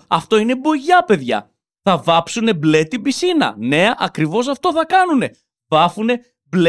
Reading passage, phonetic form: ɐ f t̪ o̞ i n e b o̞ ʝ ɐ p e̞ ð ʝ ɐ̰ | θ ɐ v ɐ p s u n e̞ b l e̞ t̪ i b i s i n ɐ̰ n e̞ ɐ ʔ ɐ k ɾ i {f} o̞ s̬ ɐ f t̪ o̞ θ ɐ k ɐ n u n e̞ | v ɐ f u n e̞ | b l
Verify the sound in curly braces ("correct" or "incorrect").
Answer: incorrect